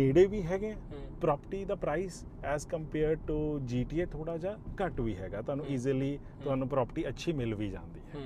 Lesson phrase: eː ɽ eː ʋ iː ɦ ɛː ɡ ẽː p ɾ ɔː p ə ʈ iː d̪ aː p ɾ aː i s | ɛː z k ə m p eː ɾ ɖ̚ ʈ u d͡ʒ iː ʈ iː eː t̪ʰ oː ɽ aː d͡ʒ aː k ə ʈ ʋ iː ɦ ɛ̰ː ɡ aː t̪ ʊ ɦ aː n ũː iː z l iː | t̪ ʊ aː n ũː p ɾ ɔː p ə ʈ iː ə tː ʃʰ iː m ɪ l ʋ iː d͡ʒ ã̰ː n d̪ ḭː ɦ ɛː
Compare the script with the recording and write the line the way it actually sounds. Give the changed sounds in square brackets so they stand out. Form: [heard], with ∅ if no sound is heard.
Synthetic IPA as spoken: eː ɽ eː ʋ iː ɦ ɛː ɡ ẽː p ɾ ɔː p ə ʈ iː d̪ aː p ɾ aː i s | ɛː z k ə m p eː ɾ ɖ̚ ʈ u d͡ʒ iː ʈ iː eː t̪ʰ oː ɽ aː d͡ʒ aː k ə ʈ ʋ iː ɦ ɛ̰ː ɡ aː t̪ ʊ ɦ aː n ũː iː z l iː | t̪ ʊ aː n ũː p ɾ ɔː p ə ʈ iː ə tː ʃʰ iː m ɪ l ʋ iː d͡ʒ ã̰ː n d̪ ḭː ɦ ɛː